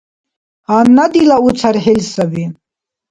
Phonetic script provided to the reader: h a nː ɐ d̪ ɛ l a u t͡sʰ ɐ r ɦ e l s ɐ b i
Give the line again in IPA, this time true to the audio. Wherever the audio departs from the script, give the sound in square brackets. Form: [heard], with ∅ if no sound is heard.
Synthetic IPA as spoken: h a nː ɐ d̪ [i] l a u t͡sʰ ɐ [ɾ] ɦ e l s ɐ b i